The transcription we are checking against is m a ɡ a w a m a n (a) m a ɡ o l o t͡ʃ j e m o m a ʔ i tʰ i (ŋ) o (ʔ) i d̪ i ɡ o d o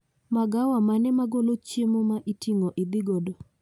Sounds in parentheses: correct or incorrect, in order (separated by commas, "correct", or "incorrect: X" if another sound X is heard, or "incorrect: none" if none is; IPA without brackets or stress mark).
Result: incorrect: ɛ, correct, correct